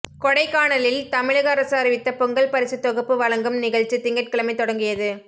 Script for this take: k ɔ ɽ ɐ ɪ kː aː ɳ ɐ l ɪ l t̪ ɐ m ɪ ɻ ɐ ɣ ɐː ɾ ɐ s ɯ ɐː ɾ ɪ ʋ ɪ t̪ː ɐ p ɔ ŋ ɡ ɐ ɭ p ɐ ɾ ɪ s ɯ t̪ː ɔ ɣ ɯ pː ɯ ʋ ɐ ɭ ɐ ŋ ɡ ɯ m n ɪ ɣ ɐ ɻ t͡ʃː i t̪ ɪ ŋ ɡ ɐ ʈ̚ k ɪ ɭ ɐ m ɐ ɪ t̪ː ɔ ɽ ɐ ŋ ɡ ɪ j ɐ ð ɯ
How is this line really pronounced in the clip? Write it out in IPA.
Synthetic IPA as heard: k ɔ ɽ ɐ ɪ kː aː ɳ ɐ l ɪ l t̪ ɐ m ɪ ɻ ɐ ɣ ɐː ɾ ɐ s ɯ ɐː ɾ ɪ ʋ ɪ t̪ː ɐ p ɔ ŋ ɡ ɐ ɭ p ɐ ɾ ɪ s ɯ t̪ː ɔ ɣ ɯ pː ɯ ʋ ɐ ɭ ɐ ŋ ɡ ɯ m n ɪ ɣ ɐ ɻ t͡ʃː i t̪ ɪ ŋ ɡ ɐ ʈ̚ k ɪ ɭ ɐ m ɐ ɪ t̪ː ɔ ɽ ɐ ŋ ɡ ɪ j ɐ ð ɯ